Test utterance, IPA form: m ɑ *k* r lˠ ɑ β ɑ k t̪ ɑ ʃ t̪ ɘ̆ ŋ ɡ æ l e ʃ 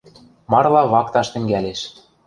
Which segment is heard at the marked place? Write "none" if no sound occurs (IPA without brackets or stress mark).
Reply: none